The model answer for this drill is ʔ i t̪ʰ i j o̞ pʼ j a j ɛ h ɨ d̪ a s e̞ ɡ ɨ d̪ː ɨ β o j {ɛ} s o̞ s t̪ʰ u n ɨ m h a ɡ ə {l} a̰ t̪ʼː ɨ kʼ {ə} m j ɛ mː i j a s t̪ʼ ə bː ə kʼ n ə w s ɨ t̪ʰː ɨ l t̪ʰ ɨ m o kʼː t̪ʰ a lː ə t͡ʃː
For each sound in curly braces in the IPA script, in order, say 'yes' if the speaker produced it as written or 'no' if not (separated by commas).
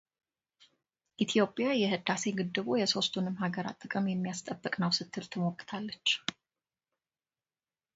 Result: yes, no, yes